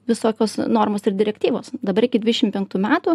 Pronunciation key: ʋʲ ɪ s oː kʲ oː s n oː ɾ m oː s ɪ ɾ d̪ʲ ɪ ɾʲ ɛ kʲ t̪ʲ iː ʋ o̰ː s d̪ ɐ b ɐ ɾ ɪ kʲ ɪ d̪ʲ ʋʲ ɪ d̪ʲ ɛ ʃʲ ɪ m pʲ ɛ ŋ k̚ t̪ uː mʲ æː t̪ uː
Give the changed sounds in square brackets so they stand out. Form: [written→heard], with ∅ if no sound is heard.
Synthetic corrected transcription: ʋʲ ɪ s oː kʲ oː s n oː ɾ m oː s ɪ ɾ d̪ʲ ɪ ɾʲ ɛ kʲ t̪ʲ iː ʋ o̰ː s d̪ ɐ b ɐ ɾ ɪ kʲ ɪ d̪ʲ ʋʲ ɪ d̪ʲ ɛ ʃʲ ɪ m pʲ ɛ ŋ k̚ t̪ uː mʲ æː t̪ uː